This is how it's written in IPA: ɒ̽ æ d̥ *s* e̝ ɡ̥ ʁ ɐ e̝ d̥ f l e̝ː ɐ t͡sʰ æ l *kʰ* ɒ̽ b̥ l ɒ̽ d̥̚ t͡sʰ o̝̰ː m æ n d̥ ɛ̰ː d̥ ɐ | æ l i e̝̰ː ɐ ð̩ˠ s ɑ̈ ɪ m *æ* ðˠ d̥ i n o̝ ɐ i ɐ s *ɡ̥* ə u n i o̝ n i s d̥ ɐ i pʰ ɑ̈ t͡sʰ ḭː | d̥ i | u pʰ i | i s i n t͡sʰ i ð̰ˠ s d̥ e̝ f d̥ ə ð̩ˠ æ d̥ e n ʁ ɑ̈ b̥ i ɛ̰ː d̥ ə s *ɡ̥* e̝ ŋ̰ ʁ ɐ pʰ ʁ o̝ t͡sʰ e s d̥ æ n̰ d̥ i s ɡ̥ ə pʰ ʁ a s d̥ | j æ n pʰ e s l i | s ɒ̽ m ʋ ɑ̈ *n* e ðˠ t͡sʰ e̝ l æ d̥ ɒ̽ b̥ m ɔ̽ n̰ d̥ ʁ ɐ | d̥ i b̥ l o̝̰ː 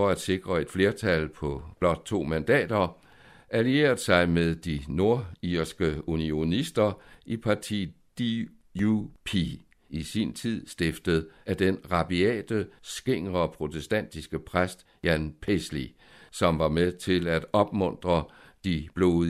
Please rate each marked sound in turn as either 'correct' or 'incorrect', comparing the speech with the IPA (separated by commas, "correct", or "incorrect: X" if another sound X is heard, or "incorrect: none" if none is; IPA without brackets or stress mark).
correct, incorrect: pʰ, incorrect: e, correct, correct, incorrect: m